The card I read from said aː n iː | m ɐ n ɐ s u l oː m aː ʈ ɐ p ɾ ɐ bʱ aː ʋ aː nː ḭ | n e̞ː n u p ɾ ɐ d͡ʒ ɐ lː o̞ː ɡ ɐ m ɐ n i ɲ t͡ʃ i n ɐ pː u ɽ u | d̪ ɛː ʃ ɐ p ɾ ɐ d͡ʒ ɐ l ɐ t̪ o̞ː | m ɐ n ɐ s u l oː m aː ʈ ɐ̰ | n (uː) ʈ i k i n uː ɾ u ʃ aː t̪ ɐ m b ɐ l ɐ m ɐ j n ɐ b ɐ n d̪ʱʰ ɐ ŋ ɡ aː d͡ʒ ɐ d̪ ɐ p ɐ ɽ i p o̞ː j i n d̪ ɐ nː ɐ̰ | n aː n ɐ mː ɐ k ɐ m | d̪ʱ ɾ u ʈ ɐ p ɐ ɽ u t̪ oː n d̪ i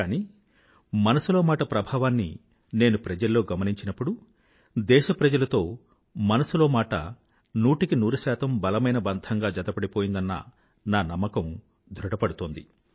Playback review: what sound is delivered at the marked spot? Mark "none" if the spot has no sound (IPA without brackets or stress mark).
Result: uː